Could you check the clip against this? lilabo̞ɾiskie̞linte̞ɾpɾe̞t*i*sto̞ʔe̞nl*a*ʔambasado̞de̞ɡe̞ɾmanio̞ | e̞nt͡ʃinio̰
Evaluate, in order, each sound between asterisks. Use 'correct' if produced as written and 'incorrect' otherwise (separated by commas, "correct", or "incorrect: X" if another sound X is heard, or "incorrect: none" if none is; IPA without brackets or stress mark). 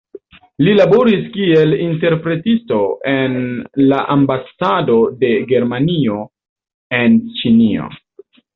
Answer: correct, correct